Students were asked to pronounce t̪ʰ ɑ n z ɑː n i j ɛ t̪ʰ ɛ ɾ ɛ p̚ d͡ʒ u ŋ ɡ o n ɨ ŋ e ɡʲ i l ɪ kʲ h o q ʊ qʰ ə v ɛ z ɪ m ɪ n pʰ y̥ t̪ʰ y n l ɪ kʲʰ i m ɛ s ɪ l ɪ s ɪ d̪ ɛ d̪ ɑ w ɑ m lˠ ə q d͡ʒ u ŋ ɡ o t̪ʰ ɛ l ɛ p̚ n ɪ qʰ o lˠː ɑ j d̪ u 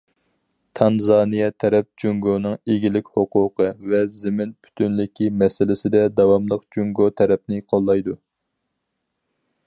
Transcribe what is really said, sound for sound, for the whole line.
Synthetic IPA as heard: t̪ʰ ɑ n z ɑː n i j ɛ t̪ʰ ɛ ɾ ɛ p̚ d͡ʒ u ŋ ɡ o n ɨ ŋ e ɡʲ i l ɪ kʲ h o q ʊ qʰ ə v ɛ z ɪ m ɪ n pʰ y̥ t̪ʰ y n l ɪ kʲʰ i m ɛ s ɪ l ɪ s ɪ d̪ ɛ d̪ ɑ w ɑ m lˠ ə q d͡ʒ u ŋ ɡ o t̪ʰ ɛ ɾ ɛ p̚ n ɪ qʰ o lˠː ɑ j d̪ u